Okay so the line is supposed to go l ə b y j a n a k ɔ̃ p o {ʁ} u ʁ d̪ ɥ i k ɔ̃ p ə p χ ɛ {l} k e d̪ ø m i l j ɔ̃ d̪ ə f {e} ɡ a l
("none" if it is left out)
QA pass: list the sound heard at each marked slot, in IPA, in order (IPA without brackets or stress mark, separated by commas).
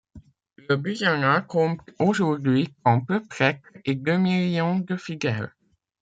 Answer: ʒ, none, i